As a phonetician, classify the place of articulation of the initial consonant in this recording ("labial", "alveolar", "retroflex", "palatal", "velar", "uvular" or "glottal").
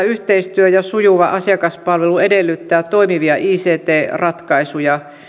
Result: glottal